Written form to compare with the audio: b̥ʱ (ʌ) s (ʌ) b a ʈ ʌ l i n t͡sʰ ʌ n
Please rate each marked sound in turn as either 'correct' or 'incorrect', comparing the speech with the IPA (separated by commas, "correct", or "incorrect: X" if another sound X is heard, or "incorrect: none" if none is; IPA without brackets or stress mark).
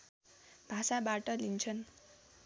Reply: incorrect: a, incorrect: a